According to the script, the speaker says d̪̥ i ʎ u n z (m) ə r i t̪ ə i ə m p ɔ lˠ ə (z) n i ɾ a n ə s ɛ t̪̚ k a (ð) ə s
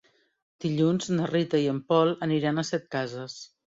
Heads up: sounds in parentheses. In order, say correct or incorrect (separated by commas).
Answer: incorrect, incorrect, incorrect